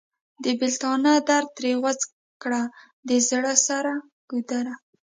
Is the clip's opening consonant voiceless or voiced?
voiced